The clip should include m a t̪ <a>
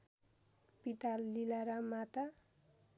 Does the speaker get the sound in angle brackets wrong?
no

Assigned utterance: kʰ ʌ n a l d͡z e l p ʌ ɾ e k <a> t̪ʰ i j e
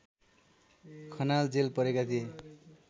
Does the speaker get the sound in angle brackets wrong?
no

